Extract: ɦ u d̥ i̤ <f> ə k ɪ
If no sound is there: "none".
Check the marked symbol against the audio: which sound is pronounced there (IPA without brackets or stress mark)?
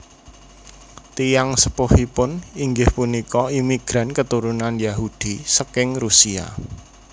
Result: s